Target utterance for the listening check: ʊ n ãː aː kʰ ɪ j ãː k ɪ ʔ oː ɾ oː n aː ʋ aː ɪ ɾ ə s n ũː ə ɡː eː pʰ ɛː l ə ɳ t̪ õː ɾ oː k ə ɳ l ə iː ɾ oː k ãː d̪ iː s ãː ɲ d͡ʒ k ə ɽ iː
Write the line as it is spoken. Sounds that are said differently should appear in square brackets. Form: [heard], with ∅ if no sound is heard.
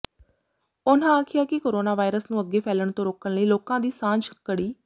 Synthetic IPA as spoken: ʊ n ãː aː kʰ ɪ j [aː] k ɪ [k] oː ɾ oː n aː ʋ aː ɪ ɾ ə s n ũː ə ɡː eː pʰ ɛː l ə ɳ t̪ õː ɾ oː k ə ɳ l ə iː [l] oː k ãː d̪ iː s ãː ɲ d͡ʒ k ə ɽ iː

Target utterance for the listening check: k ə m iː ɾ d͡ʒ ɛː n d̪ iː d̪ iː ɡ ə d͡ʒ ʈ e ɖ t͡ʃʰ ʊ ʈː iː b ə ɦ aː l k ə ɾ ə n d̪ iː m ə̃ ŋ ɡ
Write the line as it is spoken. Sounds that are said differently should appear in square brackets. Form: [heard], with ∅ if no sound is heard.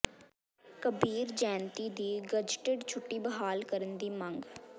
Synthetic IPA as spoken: k ə [b] iː ɾ d͡ʒ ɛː n [t̪] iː d̪ iː ɡ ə d͡ʒ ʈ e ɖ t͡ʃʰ ʊ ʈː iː b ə ɦ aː l k ə ɾ ə n d̪ iː m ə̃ ŋ ɡ

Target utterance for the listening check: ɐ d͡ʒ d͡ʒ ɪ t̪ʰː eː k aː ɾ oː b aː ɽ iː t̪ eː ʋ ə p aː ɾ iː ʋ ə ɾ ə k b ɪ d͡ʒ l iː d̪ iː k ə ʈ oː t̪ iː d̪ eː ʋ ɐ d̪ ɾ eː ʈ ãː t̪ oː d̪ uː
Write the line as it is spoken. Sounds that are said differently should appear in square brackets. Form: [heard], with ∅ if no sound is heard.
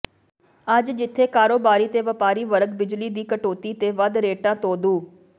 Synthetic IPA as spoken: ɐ d͡ʒ d͡ʒ ɪ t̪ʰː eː k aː ɾ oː b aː [ɾ] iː t̪ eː ʋ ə p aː ɾ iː ʋ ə ɾ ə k b ɪ d͡ʒ l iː d̪ iː k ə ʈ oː t̪ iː [t̪] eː ʋ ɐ d̪ ɾ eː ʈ ãː t̪ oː d̪ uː

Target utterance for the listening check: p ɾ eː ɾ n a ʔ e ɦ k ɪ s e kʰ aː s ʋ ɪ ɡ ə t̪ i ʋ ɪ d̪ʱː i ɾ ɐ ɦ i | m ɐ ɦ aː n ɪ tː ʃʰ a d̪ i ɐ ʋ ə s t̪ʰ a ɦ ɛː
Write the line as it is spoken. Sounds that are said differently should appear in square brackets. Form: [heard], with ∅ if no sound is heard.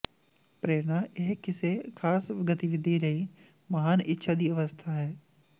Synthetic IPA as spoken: p ɾ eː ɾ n a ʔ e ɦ k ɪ s e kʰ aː s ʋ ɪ ɡ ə t̪ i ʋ ɪ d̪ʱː i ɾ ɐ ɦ i | m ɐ ɦ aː n ɪ tː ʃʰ a d̪ i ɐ ʋ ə s t̪ʰ a ɦ ɛː

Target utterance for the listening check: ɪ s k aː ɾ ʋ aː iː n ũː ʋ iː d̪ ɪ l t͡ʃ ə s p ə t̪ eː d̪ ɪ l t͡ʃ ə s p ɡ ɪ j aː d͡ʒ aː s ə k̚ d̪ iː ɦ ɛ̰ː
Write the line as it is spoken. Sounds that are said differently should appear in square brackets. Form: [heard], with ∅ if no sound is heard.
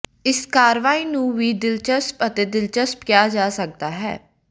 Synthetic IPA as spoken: ɪ s k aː ɾ ʋ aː iː n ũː ʋ iː d̪ ɪ l t͡ʃ ə s p ə t̪ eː d̪ ɪ l t͡ʃ ə s p [k] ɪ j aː d͡ʒ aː s ə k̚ d̪ [aː] ɦ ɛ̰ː

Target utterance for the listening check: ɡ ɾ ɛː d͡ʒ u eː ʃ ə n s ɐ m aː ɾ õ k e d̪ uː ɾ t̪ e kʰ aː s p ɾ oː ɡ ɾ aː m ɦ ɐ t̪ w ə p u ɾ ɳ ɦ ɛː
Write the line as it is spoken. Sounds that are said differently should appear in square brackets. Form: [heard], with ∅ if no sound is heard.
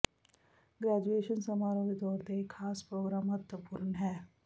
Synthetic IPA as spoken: ɡ ɾ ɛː d͡ʒ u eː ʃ ə n s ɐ m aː ɾ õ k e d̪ [ɔː] ɾ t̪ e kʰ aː s p ɾ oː ɡ ɾ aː m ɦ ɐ t̪ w ə p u ɾ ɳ ɦ ɛː

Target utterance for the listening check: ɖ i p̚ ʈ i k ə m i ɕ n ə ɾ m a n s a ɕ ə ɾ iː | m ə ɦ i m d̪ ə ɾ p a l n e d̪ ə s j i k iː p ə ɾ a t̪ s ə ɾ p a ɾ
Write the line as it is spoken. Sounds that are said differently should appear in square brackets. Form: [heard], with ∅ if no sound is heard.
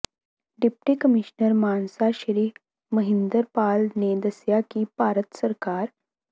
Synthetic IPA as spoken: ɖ i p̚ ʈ i k ə m i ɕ n ə ɾ m a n s a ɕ ə ɾ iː | m ə ɦ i [n] d̪ ə ɾ p a l n e d̪ ə s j [a] k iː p [a] ɾ [ə] t̪ s ə ɾ [k] a ɾ

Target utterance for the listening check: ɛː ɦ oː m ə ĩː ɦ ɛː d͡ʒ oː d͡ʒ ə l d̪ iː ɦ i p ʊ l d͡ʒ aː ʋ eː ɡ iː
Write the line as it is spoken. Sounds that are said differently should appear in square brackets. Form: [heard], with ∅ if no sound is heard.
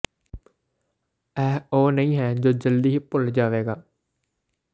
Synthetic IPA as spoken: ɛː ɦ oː [n] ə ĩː ɦ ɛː d͡ʒ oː d͡ʒ ə l d̪ iː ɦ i p ʊ l d͡ʒ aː ʋ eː ɡ [aː]

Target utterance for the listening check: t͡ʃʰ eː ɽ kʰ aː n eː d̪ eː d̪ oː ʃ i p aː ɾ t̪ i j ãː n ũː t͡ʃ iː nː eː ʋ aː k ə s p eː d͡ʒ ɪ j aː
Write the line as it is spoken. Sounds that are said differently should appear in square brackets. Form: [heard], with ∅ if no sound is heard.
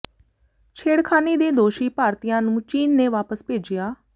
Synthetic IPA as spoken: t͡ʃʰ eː ɽ kʰ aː n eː d̪ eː d̪ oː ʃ [iː] p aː ɾ t̪ i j ãː n ũː t͡ʃ iː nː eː ʋ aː [p] ə s p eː d͡ʒ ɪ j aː

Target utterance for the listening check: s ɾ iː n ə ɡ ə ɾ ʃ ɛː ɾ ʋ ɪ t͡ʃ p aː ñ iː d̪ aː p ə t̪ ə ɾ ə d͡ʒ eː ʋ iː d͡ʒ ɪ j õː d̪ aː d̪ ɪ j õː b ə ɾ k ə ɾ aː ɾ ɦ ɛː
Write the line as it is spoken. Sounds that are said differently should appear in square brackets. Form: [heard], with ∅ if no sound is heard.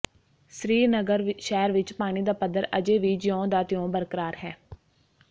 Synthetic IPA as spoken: s ɾ iː n ə ɡ ə ɾ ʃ ɛː ɾ ʋ ɪ t͡ʃ p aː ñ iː d̪ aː p ə [d̪] ə ɾ ə d͡ʒ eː ʋ iː d͡ʒ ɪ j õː d̪ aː [t̪] ɪ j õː b ə ɾ k ə ɾ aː ɾ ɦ ɛː

